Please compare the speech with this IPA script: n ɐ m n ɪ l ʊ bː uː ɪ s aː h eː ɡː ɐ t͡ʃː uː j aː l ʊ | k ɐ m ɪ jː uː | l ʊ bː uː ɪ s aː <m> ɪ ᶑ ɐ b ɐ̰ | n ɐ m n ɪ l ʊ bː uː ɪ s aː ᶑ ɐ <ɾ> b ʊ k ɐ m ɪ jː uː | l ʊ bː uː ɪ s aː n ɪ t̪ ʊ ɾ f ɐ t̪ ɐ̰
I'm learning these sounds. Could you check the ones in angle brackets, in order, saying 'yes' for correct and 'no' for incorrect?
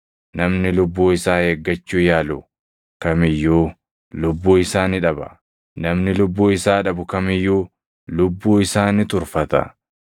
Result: no, no

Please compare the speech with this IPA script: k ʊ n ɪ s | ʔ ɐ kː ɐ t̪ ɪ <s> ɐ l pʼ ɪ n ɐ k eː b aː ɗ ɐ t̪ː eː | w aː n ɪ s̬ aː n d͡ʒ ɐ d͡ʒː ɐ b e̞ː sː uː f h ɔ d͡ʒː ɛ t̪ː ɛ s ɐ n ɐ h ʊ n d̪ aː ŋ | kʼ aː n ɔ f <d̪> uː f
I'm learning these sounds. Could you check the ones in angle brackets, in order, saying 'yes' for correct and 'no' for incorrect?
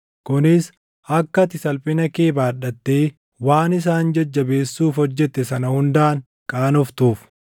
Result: yes, no

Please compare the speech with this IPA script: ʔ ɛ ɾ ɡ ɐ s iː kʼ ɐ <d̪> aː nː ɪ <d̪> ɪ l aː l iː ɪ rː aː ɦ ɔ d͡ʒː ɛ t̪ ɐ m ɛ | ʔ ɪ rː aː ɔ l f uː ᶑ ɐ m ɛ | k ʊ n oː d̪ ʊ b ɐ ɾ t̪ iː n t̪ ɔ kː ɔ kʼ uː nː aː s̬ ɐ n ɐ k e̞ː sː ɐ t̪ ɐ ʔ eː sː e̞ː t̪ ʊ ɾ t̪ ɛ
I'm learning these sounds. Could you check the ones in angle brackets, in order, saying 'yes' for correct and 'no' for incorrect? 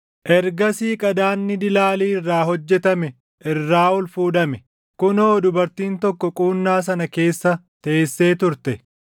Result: yes, yes

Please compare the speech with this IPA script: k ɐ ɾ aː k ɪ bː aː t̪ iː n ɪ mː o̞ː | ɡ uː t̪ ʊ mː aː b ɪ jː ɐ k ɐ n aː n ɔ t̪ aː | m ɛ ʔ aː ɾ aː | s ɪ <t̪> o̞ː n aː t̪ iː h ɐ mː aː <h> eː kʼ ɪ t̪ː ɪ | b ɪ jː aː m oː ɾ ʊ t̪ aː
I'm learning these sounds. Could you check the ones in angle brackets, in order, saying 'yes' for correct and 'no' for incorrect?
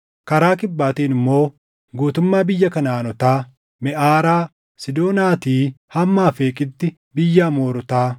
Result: no, no

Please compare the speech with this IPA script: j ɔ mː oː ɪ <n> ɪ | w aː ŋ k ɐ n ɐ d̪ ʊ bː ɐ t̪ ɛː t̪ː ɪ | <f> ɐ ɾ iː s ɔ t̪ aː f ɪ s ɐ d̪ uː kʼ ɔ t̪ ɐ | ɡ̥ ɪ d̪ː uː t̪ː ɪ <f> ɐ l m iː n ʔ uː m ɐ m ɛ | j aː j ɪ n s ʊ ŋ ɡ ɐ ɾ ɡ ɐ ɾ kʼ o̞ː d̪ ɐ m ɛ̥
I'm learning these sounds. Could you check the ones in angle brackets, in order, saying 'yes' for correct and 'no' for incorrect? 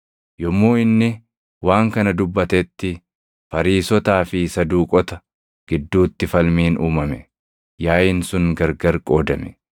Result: no, yes, yes

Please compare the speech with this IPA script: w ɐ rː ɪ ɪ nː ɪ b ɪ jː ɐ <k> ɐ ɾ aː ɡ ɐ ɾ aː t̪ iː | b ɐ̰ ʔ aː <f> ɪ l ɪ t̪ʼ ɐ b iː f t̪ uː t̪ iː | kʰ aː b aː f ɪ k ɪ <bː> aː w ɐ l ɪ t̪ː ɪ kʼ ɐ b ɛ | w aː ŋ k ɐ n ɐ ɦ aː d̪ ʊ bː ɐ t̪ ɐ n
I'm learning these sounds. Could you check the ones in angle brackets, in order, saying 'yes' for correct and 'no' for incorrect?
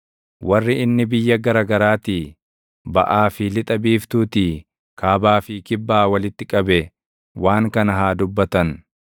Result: no, yes, yes

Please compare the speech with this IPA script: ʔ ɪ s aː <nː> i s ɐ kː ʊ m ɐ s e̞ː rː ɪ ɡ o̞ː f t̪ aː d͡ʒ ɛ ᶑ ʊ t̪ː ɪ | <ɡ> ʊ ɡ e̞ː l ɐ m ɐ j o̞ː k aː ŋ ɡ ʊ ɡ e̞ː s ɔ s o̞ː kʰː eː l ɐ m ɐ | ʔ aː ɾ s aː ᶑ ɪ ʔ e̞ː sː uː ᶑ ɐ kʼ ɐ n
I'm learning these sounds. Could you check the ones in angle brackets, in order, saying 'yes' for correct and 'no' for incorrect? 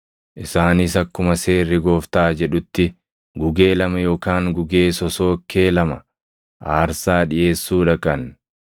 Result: no, yes

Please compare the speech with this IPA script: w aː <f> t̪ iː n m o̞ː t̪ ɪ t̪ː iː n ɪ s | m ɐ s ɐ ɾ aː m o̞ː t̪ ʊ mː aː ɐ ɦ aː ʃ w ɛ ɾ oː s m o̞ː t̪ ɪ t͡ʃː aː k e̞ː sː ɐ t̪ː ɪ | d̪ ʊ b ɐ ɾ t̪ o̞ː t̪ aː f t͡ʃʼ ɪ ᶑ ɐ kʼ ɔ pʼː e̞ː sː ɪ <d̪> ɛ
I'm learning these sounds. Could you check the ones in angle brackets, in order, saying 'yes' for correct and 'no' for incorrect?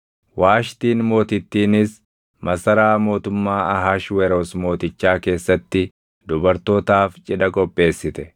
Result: no, no

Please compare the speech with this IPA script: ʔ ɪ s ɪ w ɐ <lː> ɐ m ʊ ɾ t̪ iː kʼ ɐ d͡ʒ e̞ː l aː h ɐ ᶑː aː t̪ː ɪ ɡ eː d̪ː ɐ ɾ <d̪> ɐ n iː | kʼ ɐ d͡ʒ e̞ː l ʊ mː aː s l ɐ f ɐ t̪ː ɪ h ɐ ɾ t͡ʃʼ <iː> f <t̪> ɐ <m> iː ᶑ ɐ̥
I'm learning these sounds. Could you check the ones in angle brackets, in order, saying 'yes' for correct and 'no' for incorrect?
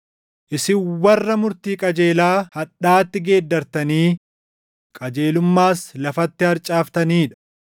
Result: no, no, no, yes, no

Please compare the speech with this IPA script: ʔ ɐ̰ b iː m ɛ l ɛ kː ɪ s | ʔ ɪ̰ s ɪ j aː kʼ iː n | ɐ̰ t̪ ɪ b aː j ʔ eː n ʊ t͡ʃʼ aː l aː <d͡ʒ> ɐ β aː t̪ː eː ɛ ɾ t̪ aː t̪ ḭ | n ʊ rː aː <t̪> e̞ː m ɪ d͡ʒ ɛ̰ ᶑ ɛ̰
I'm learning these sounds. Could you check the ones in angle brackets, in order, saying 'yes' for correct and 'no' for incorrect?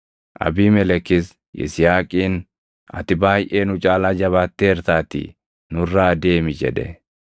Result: yes, no

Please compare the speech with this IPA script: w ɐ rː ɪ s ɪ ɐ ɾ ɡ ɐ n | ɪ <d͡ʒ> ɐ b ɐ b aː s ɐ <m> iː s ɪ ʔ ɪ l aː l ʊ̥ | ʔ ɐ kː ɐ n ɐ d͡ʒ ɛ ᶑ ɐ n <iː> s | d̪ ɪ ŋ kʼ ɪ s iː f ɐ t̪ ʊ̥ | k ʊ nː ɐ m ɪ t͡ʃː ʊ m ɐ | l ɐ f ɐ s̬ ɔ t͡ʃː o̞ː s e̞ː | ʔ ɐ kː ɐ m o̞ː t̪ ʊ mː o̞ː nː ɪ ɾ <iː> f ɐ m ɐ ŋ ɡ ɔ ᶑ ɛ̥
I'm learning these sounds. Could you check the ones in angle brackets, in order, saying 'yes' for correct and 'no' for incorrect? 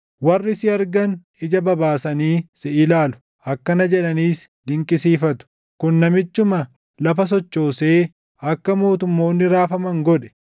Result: yes, no, yes, no

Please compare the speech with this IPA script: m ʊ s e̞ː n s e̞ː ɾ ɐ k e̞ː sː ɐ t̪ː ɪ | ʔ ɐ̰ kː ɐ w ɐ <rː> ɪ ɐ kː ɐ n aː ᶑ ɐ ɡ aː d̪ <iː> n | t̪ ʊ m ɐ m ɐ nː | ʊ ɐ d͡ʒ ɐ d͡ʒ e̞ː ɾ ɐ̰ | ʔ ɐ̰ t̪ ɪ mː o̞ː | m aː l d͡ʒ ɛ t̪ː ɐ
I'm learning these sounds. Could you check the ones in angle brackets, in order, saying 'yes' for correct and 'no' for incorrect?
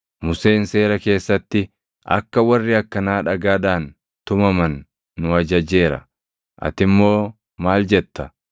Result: yes, no

